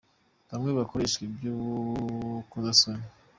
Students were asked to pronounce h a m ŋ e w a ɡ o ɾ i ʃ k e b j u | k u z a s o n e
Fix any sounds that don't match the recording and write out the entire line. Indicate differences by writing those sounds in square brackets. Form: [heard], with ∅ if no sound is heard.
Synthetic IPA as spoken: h a m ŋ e [β] a [k] o ɾ [e] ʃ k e b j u | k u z a s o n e